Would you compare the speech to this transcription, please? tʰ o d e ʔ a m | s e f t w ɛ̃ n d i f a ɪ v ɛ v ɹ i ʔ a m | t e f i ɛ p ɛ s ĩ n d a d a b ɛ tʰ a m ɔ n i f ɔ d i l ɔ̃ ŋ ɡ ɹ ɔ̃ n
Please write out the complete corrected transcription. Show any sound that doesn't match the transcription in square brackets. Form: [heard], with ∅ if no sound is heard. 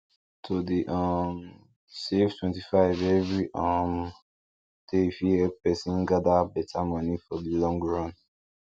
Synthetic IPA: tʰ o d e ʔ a m | s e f t w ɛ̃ n [t] i f a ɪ v ɛ v ɹ i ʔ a m | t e f i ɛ p ɛ s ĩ n [ɡ] a d a b ɛ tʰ a m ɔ n i f ɔ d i l ɔ̃ ŋ ɡ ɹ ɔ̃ n

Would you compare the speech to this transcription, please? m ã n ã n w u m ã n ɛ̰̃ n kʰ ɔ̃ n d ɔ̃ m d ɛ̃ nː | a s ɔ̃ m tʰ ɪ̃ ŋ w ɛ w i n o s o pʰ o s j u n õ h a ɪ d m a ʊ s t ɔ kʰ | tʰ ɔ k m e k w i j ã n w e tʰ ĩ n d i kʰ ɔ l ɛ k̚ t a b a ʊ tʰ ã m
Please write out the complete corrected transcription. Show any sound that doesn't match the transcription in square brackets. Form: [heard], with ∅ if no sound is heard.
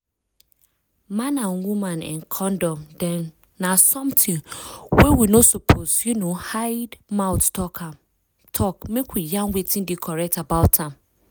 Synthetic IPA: m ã n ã n w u m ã n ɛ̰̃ n kʰ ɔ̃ n d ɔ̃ m d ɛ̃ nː | a s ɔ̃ m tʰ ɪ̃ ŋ w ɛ w i n o s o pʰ o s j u n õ h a ɪ d m a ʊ [t] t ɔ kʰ | tʰ ɔ k m e k w i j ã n w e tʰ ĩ n d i kʰ ɔ [ɹ] ɛ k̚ t a b a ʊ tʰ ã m

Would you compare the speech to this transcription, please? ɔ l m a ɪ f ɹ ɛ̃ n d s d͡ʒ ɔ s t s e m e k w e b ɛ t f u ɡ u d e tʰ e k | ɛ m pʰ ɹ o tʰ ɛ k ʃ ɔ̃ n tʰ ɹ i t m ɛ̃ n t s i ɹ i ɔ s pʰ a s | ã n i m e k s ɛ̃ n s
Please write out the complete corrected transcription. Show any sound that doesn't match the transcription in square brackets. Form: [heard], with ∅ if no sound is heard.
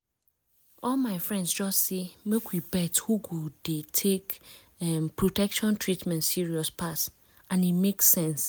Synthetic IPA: ɔ l m a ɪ f ɹ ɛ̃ n d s d͡ʒ ɔ s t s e m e k w [i] b ɛ t [h] u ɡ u d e tʰ e k | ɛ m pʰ ɹ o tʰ ɛ k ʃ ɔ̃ n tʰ ɹ i t m ɛ̃ n t s i ɹ i ɔ s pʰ a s | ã n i m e k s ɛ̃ n s

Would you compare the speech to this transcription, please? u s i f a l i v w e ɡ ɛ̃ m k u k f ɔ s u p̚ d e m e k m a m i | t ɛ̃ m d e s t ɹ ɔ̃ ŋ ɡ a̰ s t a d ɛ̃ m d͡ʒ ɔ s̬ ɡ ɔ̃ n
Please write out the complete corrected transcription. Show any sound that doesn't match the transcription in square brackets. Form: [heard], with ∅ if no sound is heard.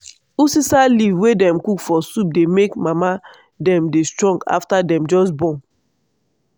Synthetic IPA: u s i [s] a l i v w e [d] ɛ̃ m k u k f ɔ s u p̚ d e m e k m a m [a] | [d] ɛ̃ m d e s t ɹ ɔ̃ ŋ ɡ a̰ [f] t a d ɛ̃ m d͡ʒ ɔ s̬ [b] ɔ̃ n

